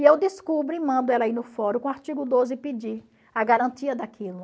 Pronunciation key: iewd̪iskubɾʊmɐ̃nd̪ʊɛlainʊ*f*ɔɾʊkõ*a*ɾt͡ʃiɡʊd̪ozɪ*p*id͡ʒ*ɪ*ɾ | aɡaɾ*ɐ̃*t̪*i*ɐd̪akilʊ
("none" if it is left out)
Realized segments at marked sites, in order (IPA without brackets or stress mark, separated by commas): f, a, p, i, ɐ̃, i